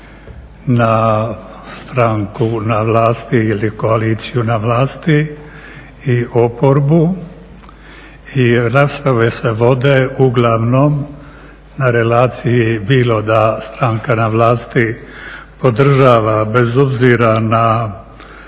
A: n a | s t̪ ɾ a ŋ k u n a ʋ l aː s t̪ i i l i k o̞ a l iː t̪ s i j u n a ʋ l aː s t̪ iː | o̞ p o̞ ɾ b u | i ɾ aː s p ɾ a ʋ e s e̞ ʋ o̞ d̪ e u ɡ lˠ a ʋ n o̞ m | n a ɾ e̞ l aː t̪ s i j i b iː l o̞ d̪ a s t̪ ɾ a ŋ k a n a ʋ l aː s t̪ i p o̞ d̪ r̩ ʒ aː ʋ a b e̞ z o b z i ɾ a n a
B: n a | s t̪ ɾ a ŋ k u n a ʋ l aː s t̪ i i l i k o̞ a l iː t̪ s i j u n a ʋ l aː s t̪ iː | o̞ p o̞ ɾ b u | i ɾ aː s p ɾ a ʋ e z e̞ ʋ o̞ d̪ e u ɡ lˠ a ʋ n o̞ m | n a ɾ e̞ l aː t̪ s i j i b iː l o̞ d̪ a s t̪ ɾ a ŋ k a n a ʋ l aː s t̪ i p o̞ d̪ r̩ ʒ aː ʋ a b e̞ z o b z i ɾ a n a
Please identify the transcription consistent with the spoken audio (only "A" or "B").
A